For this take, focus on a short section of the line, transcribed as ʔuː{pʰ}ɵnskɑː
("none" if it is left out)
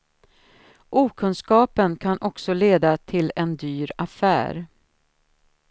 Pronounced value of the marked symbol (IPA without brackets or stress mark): kʰ